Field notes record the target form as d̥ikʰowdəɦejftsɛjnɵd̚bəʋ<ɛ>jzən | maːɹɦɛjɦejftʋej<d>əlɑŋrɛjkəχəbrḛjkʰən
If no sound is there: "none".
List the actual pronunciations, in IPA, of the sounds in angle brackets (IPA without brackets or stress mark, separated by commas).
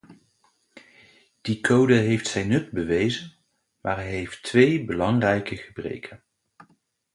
e, b